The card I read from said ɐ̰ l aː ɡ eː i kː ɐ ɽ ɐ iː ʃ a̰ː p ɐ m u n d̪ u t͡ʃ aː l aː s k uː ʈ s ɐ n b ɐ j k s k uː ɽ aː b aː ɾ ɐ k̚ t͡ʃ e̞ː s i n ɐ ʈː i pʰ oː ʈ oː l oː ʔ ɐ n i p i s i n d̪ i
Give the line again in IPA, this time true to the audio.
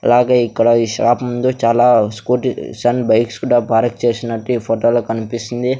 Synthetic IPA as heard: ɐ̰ l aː ɡ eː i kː ɐ ɽ ɐ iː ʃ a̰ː p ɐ m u n d̪ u t͡ʃ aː l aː s k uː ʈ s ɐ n b ɐ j k s k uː ɽ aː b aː ɾ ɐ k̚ t͡ʃ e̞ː s i n ɐ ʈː i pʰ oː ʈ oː l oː k ɐ n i p i s i n d̪ i